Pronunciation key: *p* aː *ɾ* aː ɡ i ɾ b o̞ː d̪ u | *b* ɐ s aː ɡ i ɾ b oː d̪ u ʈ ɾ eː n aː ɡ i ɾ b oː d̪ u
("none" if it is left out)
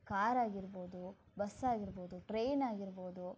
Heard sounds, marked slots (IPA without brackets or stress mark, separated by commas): k, ɾ, b